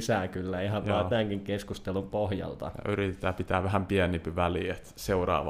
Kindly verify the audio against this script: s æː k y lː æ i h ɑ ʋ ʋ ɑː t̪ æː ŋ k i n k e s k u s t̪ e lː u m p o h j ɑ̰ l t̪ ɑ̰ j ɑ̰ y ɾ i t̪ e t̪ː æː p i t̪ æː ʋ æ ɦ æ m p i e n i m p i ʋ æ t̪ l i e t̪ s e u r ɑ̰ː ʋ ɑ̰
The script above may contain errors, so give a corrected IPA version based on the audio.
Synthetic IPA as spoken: s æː k y lː æ i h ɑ ʋ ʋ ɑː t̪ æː ŋ k i ŋ k e s k u s t̪ e l u m p o h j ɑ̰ l t̪ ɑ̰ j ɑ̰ y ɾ i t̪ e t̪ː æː p i t̪ æː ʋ æ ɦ æ m p i æ n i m p i ʋ æ l i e t̪ s e u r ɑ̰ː ʋ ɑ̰